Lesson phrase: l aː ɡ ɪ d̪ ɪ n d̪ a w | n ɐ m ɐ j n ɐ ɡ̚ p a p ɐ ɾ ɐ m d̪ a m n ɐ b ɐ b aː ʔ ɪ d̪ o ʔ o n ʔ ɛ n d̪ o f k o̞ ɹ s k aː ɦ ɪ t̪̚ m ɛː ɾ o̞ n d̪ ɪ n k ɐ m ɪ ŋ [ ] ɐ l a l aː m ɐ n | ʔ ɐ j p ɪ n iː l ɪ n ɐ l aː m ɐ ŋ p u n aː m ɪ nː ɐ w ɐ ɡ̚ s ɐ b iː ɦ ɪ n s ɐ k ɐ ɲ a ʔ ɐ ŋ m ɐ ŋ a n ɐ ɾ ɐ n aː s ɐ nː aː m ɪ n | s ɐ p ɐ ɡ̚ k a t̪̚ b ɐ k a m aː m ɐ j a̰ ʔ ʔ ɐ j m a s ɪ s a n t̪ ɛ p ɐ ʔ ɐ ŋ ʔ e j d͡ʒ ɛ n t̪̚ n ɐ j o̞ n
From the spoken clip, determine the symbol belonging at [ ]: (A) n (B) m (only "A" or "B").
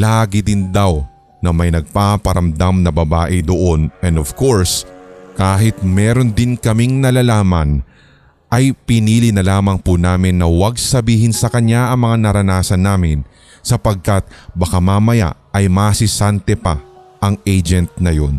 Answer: A